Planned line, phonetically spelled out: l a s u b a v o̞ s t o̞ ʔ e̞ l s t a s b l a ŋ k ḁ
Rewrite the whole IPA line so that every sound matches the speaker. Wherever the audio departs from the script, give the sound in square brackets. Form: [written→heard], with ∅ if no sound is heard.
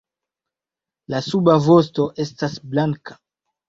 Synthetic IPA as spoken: l a s u b a v o̞ s t o̞ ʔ e̞ [l→∅] s t a s b l a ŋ k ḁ